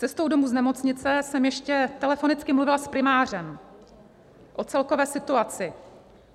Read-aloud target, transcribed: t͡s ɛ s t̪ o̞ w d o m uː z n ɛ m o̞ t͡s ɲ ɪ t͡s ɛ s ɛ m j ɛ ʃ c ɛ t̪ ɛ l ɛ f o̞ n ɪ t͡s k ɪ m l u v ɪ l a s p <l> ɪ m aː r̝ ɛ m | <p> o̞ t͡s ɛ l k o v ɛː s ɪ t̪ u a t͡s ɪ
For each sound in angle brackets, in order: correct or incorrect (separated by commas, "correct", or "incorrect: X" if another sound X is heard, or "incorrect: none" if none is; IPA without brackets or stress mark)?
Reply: incorrect: ɾ, incorrect: ʔ